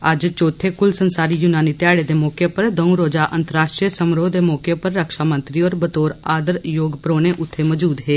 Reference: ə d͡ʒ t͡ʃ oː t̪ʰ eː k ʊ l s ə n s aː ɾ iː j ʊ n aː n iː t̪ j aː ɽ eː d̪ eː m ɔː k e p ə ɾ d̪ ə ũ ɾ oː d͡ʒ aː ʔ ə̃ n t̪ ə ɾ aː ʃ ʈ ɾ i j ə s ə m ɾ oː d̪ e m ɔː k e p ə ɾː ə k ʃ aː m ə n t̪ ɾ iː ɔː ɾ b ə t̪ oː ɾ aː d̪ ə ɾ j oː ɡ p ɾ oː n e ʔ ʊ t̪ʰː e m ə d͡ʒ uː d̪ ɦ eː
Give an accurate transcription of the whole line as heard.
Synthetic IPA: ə d͡ʒ t͡ʃ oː t̪ʰ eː k ʊ l s ə n s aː ɾ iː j ʊ n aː n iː t̪ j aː ɽ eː d̪ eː m ɔː k e p ə ɾ d̪ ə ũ ɾ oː d͡ʒ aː ʔ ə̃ n t̪ ə ɾ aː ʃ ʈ ɾ i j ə s ə m ɾ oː d̪ e m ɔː k e p ə ɾː ə k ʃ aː m ə n t̪ ɾ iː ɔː ɾ b ə t̪ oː ɾ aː d̪ ə ɾ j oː ɡ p ɾ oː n e ʔ ʊ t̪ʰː e m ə d͡ʒ uː d̪ ɦ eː